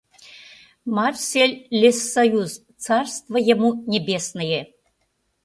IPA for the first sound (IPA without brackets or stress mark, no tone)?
m